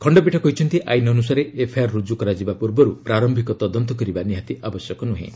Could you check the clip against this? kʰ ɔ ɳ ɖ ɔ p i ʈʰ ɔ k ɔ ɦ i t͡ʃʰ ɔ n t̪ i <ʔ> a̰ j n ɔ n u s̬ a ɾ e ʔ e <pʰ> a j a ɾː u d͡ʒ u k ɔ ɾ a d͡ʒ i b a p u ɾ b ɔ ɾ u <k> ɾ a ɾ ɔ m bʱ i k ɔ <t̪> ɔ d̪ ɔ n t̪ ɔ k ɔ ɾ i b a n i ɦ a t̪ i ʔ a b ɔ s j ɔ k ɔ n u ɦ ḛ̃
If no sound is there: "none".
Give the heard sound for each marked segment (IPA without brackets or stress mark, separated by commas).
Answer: ʔ, pʰ, p, t̪